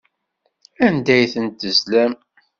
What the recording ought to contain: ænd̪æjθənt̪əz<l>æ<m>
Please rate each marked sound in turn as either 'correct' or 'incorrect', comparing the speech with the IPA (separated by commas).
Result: correct, correct